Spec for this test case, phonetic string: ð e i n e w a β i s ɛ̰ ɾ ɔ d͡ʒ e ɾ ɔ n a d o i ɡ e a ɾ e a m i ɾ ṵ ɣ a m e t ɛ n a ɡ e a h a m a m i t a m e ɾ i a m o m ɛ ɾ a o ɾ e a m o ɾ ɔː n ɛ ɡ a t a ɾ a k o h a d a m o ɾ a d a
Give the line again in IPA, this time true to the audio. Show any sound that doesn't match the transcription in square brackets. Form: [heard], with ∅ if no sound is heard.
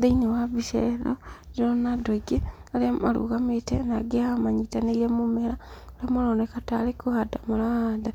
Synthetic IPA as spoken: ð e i n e w a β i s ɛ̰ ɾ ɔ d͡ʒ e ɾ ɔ n a d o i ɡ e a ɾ e a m [a] ɾ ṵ ɣ a m e t ɛ n a ɡ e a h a m a [ɲ] i t a [n] e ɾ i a m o m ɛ ɾ a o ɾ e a m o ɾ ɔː n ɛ [k] a t a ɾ [e] k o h a d a m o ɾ a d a